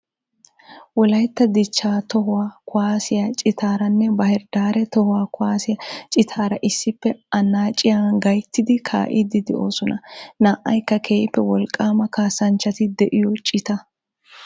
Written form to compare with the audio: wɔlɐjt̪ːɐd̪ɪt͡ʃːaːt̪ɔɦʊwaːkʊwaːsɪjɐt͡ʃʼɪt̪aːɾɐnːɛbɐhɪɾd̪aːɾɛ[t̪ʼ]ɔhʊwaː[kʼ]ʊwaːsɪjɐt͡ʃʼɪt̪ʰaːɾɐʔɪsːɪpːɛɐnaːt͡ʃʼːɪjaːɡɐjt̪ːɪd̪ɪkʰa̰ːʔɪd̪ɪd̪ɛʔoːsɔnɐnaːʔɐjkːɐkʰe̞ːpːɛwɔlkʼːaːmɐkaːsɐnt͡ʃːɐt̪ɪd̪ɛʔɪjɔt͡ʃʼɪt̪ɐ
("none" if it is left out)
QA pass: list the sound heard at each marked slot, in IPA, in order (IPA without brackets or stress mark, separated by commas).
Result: t̪, k